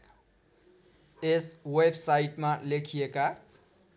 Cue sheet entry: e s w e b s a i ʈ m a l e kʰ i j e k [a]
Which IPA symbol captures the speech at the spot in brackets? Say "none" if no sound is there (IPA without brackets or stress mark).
a